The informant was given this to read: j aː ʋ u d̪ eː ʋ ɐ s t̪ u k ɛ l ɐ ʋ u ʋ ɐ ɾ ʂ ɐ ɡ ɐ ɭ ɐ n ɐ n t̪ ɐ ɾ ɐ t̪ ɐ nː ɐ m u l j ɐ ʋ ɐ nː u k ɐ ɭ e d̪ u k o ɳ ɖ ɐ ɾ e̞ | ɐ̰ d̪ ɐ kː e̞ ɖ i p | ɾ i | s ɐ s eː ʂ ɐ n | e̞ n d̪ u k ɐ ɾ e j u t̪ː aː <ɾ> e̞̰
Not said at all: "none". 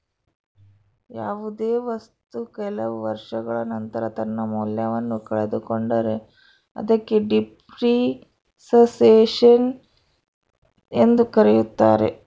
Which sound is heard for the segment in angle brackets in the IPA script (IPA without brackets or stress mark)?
ɾ